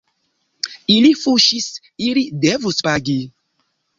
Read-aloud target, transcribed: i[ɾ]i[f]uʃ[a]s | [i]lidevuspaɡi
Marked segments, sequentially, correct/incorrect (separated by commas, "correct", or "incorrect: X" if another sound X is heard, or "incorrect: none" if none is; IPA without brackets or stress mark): incorrect: l, correct, incorrect: i, correct